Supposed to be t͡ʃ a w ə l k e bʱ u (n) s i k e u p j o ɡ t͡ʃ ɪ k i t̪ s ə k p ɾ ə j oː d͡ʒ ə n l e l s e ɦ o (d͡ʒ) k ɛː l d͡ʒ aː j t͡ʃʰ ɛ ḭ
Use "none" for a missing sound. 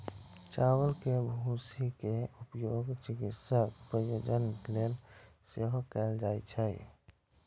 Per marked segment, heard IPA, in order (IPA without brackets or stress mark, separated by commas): none, none